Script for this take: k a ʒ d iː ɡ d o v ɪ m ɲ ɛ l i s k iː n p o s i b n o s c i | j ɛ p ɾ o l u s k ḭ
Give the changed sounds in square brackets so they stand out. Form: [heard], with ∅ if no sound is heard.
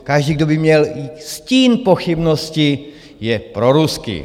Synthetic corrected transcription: k a ʒ d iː ɡ d o [b] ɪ m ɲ ɛ l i s [c] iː n p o [x] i b n o s c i | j ɛ p ɾ o [ɾ] u s k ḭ